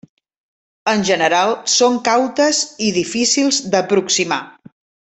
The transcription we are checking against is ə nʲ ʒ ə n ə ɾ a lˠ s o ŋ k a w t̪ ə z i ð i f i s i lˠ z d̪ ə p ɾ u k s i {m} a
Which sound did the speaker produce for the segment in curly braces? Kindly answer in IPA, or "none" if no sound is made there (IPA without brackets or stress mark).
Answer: m